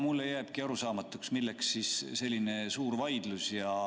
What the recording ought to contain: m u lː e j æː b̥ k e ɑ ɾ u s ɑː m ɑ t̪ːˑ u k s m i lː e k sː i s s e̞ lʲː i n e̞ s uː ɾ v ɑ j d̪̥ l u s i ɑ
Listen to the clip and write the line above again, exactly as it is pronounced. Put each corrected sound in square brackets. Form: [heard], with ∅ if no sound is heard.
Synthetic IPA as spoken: m u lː e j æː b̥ k [i] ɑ ɾ u s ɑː m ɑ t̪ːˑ u k s m i lː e k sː i s s e̞ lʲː i n e̞ s uː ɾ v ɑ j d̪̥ l u s [j] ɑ